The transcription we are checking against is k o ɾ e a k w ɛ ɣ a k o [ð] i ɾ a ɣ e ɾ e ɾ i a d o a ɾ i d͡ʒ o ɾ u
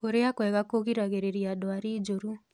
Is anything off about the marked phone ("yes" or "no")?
yes